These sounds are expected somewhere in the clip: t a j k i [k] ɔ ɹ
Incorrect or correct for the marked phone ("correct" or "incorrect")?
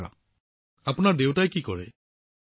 correct